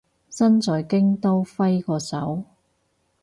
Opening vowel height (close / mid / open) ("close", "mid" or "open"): open